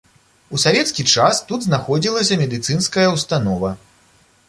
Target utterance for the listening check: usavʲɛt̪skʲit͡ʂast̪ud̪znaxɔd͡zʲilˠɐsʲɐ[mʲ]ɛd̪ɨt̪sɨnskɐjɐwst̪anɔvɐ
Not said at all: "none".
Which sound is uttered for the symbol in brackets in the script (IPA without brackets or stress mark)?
mʲ